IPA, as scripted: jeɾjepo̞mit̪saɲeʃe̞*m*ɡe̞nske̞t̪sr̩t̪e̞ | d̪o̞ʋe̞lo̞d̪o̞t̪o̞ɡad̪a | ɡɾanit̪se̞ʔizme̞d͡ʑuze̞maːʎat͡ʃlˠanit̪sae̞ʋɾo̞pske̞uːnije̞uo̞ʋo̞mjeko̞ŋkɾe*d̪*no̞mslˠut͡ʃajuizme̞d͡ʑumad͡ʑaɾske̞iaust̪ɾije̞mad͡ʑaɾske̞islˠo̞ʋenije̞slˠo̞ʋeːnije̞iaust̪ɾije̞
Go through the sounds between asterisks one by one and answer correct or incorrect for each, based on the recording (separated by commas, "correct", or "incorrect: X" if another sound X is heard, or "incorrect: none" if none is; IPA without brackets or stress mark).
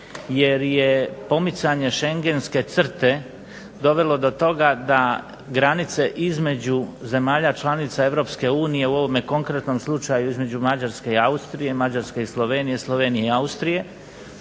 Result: incorrect: ŋ, incorrect: t̪